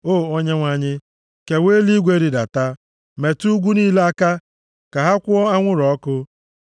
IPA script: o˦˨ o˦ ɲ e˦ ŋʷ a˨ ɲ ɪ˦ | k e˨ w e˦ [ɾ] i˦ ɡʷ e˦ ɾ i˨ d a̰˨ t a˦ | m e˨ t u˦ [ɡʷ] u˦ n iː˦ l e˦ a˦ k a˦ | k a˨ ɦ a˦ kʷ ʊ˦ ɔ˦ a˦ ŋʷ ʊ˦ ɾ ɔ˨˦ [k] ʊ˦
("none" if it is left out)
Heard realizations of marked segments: l, ɡʷ, k

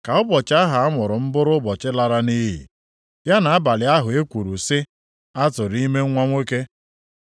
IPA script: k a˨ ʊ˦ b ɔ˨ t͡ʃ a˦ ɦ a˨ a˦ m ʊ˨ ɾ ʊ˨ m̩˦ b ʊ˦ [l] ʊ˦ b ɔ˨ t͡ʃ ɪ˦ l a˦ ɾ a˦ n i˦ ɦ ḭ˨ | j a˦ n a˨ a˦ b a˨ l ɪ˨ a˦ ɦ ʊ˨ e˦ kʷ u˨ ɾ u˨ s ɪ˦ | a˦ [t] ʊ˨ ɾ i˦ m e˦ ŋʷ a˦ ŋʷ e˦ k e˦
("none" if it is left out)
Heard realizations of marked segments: ɾ, t

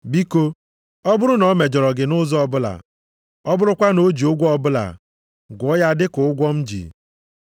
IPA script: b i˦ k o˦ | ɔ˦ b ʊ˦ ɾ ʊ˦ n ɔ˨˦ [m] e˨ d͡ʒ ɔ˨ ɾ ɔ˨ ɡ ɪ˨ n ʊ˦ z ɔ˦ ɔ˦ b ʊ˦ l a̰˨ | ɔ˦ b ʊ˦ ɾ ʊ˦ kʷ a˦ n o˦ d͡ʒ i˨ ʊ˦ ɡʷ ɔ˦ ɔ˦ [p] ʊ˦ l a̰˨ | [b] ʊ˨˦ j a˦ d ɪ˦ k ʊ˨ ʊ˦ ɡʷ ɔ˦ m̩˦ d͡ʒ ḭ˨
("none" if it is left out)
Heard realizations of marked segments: m, b, ɡ

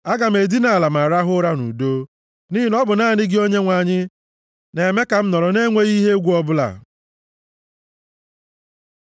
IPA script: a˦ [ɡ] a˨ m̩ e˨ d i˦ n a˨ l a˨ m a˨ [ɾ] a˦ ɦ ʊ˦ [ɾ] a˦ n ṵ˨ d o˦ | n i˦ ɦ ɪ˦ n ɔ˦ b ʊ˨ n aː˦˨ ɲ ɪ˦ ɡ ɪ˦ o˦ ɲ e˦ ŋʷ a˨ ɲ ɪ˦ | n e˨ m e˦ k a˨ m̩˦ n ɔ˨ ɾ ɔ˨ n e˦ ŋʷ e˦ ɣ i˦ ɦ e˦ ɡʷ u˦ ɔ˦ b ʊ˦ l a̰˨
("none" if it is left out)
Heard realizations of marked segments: ɡ, ɾ, ɾ

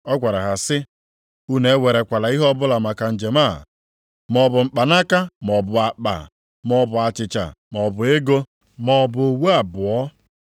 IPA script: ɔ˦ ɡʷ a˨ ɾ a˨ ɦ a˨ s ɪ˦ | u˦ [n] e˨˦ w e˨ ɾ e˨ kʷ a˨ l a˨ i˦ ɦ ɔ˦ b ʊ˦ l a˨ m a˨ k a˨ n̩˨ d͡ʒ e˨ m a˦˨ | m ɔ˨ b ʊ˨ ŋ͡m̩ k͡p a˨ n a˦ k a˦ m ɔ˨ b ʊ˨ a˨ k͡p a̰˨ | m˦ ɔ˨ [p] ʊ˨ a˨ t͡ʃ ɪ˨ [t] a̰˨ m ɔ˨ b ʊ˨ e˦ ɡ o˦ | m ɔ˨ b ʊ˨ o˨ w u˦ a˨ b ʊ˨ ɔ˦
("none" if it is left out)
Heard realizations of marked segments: n, b, t͡ʃ

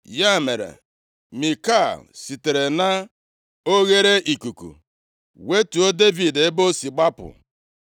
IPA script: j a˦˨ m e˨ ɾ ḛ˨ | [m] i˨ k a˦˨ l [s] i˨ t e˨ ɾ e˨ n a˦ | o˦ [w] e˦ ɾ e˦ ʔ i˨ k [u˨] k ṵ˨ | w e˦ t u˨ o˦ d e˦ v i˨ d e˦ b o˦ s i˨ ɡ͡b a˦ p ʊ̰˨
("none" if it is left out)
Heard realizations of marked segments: m, s, ɣ, u˨

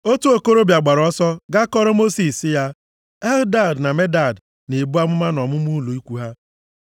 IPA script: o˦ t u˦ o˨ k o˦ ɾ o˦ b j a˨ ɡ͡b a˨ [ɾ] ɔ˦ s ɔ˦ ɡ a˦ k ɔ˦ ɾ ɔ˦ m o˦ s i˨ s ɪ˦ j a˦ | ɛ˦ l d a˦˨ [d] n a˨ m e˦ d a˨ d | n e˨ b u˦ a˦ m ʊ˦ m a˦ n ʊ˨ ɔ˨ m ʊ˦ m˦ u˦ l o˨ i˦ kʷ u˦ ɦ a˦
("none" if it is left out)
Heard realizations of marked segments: ɾ, d

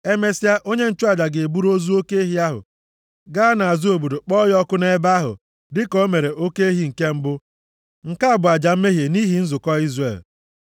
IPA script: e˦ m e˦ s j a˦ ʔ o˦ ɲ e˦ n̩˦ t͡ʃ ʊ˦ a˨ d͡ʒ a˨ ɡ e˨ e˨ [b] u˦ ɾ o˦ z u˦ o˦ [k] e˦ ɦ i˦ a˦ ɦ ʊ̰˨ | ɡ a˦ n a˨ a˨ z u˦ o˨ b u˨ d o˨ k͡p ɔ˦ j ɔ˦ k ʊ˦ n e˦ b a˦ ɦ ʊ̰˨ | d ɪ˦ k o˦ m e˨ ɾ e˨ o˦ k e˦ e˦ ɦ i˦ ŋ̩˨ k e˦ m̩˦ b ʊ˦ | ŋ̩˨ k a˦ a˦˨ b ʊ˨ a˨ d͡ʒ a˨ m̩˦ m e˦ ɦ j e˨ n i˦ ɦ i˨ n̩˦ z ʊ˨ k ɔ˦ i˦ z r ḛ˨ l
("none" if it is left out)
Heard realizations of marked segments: b, k

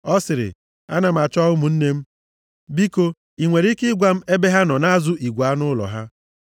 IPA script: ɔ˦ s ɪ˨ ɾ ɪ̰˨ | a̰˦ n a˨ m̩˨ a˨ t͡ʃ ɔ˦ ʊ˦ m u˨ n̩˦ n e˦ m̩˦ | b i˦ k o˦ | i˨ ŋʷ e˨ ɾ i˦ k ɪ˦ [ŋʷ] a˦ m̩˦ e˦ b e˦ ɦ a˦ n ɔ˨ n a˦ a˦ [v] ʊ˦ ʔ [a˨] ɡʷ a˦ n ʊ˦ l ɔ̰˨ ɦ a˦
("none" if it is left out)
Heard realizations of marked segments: ɡʷ, z, i˨

